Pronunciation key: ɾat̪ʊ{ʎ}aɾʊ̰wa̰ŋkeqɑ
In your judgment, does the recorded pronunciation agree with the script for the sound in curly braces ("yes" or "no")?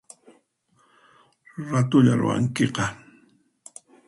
yes